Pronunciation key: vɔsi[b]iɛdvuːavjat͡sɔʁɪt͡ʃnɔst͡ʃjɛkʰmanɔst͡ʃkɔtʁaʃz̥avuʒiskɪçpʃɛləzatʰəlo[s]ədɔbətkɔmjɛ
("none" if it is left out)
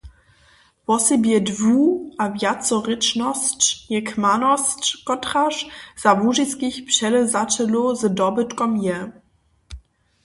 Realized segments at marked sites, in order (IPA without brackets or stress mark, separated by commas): b, z